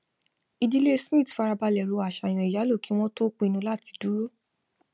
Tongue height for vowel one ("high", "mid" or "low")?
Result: high